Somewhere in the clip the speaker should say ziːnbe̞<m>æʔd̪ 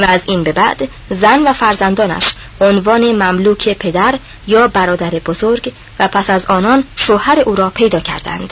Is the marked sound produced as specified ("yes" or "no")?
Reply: no